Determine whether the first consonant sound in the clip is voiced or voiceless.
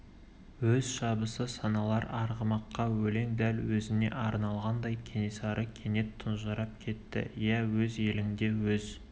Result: voiced